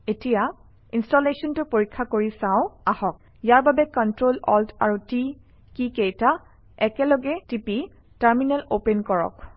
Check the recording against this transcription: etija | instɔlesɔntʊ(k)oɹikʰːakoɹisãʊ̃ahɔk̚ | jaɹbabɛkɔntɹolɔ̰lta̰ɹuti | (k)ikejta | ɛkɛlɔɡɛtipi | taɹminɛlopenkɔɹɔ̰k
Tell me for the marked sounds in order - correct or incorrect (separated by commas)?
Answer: incorrect, correct